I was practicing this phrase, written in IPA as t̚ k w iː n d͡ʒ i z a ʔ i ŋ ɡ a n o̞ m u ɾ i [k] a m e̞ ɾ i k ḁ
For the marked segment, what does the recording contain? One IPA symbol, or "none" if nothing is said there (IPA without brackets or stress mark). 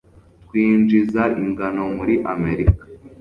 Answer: ʔ